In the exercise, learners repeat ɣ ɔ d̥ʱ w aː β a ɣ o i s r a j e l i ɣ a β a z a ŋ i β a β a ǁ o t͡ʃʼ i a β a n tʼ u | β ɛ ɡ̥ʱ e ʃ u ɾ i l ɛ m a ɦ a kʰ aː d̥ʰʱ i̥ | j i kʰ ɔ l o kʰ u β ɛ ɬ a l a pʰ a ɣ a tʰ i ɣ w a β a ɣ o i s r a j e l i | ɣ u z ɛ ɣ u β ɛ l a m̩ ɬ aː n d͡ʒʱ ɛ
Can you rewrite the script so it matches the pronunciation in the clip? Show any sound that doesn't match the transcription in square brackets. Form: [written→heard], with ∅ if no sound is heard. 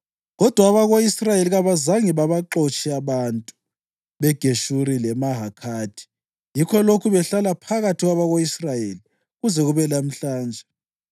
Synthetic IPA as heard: ɣ ɔ d̥ʱ w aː β a ɣ o i s r a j e l i ɣ a β a z a ŋ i β a β a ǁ o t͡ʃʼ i a β a n tʼ u | β ɛ ɡ̥ʱ e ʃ u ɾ i l ɛ m a ɦ a kʰ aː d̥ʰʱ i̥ | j i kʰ ɔ l o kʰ u β ɛ ɬ a l a pʰ a ɣ a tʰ i ɣ w a β a ɣ o i s r a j e l i | ɣ u z ɛ ɣ u β ɛ l a m̩ ɬ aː n d͡ʒʱ ɛ